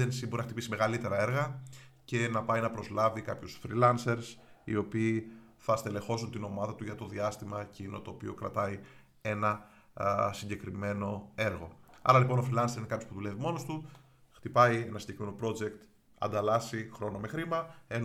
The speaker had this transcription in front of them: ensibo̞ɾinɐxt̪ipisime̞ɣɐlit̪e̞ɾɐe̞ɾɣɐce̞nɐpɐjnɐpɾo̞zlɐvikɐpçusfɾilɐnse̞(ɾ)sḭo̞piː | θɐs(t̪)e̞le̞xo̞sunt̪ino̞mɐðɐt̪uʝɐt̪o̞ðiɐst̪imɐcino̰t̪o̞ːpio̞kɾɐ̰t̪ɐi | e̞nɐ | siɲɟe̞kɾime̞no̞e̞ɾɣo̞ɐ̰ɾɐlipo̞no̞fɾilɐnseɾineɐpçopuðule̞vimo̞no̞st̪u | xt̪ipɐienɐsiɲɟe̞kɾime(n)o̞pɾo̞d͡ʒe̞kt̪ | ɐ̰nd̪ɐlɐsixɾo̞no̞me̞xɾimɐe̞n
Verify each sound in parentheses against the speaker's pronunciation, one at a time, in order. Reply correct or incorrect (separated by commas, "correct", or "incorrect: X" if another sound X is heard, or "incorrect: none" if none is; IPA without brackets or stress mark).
correct, correct, correct